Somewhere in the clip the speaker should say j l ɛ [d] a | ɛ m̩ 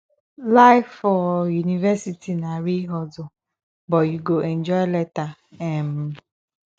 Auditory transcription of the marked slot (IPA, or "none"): t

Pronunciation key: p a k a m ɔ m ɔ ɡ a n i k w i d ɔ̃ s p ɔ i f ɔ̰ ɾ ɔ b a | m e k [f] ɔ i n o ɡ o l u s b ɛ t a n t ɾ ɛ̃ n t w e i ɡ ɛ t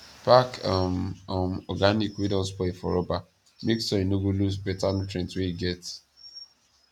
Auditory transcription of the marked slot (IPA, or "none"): s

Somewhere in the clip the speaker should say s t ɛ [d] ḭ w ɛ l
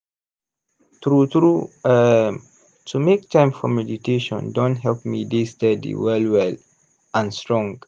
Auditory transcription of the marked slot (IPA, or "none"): d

